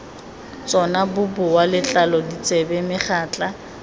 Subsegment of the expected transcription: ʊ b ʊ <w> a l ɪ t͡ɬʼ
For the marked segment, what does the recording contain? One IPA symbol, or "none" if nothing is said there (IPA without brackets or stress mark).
w